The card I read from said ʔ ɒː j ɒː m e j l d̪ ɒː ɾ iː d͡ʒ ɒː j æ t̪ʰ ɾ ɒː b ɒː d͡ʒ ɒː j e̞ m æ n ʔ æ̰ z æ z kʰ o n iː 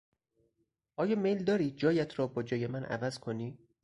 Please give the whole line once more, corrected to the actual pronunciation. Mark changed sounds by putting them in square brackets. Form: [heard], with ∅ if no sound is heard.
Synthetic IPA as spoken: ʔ ɒː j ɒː m e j l d̪ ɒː ɾ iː d͡ʒ ɒː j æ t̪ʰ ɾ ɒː b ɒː d͡ʒ ɒː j e̞ m æ n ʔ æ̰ [v] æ z kʰ o n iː